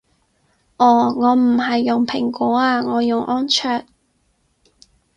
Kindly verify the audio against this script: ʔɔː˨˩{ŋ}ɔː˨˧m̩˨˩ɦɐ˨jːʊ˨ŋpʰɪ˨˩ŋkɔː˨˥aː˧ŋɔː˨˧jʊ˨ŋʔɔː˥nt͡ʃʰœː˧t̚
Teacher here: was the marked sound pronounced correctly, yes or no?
yes